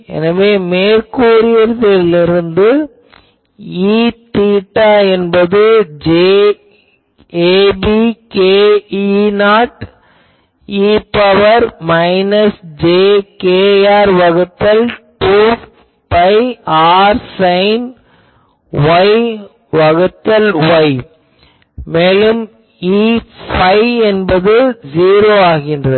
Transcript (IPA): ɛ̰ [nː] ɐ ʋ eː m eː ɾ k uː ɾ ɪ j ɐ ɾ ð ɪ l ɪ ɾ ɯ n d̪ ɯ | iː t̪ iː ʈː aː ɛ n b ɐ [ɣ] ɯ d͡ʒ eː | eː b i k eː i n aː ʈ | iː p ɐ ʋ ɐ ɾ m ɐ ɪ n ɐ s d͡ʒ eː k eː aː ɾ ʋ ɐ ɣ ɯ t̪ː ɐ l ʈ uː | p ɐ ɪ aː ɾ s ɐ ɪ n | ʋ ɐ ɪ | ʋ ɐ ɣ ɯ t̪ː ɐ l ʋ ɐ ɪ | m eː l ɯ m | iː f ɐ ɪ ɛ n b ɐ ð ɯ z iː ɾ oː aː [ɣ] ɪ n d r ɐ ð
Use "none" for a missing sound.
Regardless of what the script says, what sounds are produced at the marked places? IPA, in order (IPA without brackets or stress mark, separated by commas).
n, ð, ɣ